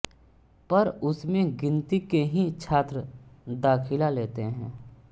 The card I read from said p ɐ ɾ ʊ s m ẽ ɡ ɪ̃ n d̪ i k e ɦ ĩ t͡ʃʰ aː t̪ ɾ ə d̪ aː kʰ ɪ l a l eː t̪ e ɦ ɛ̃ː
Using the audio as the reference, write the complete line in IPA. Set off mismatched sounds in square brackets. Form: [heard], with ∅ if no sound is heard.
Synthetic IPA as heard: p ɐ ɾ ʊ s m ẽ ɡ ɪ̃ n [t̪] i k e ɦ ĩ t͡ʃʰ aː t̪ ɾ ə d̪ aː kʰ ɪ l a l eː t̪ e ɦ ɛ̃ː